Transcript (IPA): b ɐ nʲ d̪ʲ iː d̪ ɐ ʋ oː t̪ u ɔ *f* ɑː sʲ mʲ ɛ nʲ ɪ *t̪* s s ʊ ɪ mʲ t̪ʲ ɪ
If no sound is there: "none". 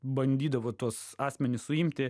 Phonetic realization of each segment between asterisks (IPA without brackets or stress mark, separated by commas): s, none